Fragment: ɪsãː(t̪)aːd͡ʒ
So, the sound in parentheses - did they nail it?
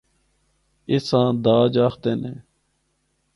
no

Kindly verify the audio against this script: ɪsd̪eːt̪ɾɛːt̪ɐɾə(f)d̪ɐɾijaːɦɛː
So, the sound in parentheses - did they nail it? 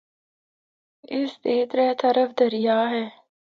yes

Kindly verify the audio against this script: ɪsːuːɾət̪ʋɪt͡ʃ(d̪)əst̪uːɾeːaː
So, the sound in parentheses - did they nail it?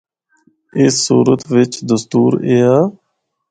yes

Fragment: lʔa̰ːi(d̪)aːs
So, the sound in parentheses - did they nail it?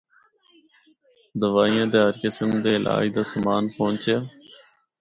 yes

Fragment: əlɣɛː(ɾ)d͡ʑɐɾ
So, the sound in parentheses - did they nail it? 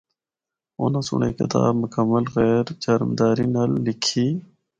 yes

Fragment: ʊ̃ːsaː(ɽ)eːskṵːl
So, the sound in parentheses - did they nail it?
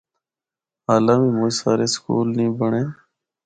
no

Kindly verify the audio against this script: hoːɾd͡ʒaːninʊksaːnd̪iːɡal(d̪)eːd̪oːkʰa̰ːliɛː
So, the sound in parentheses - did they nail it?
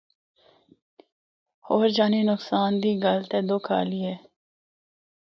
no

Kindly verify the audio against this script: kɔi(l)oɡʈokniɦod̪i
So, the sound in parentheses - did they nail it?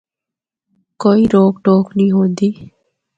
no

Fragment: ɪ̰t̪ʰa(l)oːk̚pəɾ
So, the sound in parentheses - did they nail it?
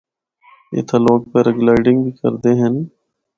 yes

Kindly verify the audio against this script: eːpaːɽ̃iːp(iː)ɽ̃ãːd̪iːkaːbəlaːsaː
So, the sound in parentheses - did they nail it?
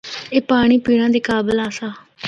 yes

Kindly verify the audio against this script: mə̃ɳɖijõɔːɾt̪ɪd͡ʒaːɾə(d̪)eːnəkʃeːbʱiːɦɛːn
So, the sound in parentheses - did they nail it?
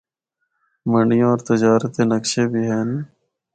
no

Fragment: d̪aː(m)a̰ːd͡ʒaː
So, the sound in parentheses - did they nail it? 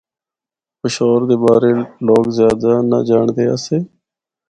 no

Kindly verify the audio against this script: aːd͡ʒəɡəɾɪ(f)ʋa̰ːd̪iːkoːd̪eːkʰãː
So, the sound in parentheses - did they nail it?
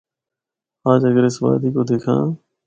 no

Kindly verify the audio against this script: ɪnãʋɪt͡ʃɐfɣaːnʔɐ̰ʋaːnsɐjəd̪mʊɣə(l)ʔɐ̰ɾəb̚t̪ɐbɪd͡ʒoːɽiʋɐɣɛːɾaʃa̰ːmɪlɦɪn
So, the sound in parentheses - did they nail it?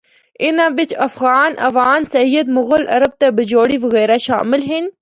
yes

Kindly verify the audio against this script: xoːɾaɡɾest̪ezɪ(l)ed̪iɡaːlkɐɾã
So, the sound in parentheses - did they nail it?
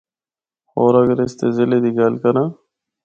yes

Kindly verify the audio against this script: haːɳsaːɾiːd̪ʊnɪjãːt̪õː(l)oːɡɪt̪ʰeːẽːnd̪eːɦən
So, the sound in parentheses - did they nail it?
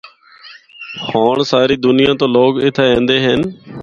yes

